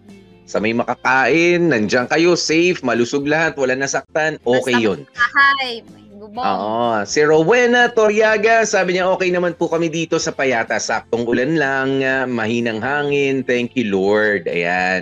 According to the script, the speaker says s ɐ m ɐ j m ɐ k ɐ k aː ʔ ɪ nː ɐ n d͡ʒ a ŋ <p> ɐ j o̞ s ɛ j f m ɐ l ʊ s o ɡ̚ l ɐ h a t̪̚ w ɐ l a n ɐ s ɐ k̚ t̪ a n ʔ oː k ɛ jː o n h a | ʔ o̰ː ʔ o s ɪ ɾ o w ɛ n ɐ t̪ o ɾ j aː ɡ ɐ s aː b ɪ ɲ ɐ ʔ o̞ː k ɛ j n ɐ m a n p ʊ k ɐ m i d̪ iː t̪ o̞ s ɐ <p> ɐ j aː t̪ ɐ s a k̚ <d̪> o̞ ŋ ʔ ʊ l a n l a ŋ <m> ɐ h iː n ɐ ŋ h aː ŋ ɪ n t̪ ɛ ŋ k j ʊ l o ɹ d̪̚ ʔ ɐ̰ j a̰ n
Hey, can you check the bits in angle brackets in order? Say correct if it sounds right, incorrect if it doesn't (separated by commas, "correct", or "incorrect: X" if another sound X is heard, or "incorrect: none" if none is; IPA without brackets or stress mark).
incorrect: k, correct, incorrect: t̪, correct